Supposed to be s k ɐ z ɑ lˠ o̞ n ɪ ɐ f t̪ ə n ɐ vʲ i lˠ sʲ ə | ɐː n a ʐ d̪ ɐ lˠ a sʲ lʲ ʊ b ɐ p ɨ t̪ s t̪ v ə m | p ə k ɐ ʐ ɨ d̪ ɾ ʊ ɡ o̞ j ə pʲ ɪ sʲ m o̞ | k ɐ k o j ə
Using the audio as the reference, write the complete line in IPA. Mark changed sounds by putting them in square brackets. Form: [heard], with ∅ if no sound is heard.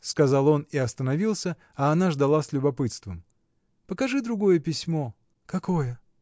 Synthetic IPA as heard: s k ɐ z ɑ lˠ o̞ n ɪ ɐ [s] t̪ ə n ɐ vʲ i lˠ sʲ ə | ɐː n a ʐ d̪ ɐ lˠ a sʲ lʲ ʊ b ɐ p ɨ t̪ s t̪ v ə m | p ə k ɐ ʐ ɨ d̪ ɾ ʊ ɡ o̞ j ə pʲ ɪ sʲ m o̞ | k ɐ k o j ə

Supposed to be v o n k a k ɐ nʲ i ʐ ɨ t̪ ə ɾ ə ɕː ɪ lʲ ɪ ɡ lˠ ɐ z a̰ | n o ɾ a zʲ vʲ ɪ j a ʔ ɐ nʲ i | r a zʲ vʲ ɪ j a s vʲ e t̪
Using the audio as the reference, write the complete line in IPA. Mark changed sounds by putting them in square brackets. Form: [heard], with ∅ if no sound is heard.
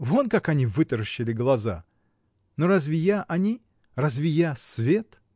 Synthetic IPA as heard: v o n k a k ɐ nʲ i [v] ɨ t̪ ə ɾ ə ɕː ɪ lʲ ɪ ɡ lˠ ɐ z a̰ | n o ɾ a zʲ vʲ ɪ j a ʔ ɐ nʲ i | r a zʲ vʲ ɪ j a s vʲ e t̪

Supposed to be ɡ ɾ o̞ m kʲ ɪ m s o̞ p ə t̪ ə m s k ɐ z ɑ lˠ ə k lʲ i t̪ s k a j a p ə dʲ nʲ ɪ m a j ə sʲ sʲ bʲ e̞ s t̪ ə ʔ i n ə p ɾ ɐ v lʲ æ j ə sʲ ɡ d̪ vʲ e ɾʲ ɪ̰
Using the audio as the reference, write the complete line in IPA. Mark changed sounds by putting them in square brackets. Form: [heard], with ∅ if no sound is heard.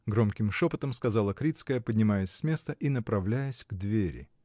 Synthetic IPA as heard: ɡ ɾ o̞ m kʲ ɪ m [ʂ] o̞ p ə t̪ ə m s k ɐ z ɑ lˠ ə k [ɾʲ] i t̪ s k [ə] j [ə] p ə dʲ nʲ ɪ m a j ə sʲ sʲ [mʲ] e̞ s t̪ ə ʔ i n ə p ɾ ɐ v lʲ æ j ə sʲ ɡ d̪ vʲ e ɾʲ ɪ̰

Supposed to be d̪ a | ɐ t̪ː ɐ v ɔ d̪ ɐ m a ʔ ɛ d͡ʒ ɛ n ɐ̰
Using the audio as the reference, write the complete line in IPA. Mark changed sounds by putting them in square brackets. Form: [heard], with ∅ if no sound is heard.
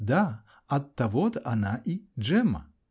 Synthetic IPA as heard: d̪ a | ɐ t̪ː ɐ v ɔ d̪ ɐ [n] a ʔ [i] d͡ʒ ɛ [m] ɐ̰

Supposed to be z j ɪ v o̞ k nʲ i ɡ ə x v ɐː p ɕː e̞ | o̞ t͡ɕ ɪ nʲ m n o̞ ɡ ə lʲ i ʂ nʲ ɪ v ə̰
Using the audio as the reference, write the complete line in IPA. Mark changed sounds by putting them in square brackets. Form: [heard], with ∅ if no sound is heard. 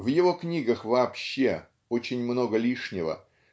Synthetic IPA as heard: [v] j ɪ v o̞ k nʲ i ɡ ə x v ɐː p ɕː e̞ | o̞ t͡ɕ ɪ nʲ m n o̞ ɡ ə lʲ i ʂ nʲ ɪ v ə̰

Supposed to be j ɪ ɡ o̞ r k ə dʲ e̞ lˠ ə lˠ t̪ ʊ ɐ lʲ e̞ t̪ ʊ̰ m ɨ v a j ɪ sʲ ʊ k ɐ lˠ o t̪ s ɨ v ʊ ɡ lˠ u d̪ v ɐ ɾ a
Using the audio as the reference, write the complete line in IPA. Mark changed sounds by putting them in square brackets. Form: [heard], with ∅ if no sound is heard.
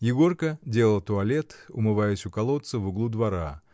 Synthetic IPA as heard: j ɪ ɡ o̞ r k ə dʲ e̞ lˠ ə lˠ t̪ ʊ ɐ lʲ e̞ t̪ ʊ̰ m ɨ v a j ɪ sʲ ʊ k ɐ lˠ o t̪ s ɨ v ʊ ɡ lˠ u d̪ v ɐ ɾ a

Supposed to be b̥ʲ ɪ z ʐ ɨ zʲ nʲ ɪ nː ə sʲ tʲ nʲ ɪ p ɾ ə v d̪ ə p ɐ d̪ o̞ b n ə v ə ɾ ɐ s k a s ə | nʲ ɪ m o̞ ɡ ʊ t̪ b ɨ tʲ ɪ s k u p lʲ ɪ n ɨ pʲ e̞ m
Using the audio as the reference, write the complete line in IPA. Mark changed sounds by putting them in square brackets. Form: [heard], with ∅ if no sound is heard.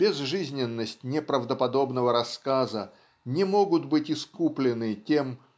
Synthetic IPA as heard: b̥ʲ ɪ z ʐ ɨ zʲ nʲ ɪ nː ə sʲ tʲ nʲ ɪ p ɾ ə v d̪ ə p ɐ d̪ o̞ b n ə v ə ɾ ɐ s k a [z] ə | nʲ ɪ m o̞ ɡ ʊ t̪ b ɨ tʲ ɪ s k u p lʲ ɪ n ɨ [tʲ] e̞ m

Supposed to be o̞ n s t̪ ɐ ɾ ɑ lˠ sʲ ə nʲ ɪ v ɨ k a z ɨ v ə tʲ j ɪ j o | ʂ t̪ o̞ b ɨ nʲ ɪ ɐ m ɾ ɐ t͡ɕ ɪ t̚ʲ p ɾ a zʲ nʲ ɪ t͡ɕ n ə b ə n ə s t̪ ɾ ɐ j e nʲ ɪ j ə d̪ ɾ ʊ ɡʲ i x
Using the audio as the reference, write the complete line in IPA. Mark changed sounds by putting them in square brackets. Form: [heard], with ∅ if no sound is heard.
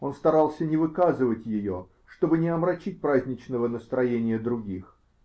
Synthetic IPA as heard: o̞ n s t̪ ɐ ɾ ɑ lˠ sʲ ə nʲ ɪ v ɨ k a z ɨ v ə tʲ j ɪ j o | ʂ t̪ o̞ b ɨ nʲ ɪ ɐ m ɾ ɐ t͡ɕ [i] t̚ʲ p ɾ a zʲ nʲ ɪ t͡ɕ n ə [v] ə n ə s t̪ ɾ ɐ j e nʲ ɪ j ə d̪ ɾ ʊ ɡʲ i x

